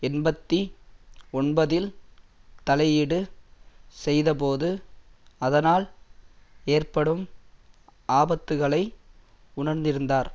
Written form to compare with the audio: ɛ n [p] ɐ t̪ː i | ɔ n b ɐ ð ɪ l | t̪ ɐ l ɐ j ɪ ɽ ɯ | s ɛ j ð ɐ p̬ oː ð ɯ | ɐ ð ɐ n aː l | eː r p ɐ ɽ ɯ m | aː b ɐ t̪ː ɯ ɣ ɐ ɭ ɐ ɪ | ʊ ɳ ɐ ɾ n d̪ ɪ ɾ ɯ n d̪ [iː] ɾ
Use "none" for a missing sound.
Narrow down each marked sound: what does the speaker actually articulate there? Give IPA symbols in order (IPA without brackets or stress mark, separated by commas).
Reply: b, aː